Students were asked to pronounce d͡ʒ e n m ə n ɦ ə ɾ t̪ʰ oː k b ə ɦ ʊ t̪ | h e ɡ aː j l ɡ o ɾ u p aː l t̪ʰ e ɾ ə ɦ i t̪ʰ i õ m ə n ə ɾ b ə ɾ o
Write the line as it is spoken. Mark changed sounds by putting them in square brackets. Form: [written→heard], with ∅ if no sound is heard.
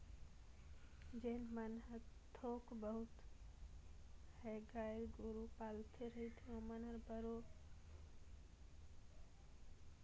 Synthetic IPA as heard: d͡ʒ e n m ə n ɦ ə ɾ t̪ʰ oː k b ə ɦ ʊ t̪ | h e ɡ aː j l ɡ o ɾ u p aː l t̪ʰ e ɾ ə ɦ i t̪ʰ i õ m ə n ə ɾ b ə ɾ o